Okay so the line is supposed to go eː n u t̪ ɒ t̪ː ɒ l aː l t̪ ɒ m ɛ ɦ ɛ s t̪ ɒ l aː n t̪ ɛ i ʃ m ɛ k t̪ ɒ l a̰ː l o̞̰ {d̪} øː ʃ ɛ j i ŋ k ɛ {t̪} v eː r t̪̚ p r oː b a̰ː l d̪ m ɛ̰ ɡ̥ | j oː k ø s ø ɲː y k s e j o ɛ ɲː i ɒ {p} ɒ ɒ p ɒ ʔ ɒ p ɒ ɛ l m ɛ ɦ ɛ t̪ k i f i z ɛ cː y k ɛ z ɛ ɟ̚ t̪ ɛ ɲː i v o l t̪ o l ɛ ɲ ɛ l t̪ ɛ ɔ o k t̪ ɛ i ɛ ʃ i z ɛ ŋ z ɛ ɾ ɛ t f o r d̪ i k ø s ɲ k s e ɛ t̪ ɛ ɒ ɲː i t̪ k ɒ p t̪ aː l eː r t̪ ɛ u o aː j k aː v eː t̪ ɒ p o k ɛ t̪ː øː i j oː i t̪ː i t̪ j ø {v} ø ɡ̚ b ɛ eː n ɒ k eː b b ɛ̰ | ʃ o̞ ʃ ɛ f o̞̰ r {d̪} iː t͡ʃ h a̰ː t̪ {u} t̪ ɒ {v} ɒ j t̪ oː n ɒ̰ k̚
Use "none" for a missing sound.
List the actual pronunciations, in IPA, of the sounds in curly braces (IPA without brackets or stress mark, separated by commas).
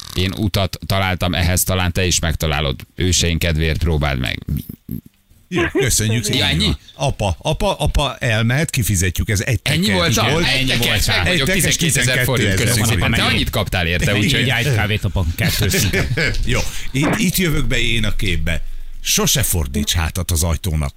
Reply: d̪, d̪, p, v, d̪, ɒ, z